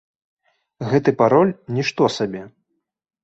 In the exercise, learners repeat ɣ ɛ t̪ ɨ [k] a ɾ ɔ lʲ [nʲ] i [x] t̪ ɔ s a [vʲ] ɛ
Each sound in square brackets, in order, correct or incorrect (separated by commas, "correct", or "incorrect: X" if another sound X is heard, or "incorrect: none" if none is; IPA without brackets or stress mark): incorrect: p, correct, incorrect: ʂ, incorrect: bʲ